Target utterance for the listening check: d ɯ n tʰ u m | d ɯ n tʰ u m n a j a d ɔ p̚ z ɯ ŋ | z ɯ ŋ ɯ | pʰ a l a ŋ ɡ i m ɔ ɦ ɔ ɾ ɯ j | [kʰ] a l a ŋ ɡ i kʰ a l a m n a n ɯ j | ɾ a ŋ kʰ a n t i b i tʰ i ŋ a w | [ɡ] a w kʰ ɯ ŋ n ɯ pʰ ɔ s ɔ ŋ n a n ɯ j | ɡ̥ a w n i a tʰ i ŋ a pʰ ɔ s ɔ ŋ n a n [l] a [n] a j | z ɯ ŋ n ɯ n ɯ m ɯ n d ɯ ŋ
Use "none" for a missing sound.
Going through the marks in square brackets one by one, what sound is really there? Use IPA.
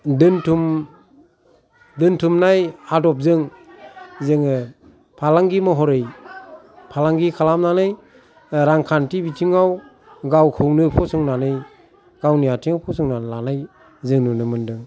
pʰ, ɡ, l, n

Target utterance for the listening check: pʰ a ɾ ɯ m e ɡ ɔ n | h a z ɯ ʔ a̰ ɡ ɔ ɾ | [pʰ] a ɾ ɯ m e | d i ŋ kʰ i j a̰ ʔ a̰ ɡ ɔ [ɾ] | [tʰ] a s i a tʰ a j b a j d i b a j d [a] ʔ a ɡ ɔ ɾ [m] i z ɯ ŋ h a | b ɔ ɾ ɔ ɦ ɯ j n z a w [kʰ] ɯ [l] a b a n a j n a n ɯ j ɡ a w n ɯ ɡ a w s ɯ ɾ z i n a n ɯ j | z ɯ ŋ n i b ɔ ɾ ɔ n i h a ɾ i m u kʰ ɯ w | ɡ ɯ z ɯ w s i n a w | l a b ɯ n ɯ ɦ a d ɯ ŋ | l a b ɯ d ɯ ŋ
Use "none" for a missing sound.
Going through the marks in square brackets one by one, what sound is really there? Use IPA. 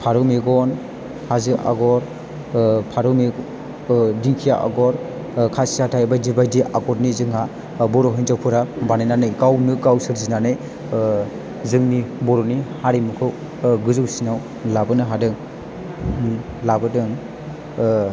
pʰ, ɾ, kʰ, i, n, pʰ, ɾ

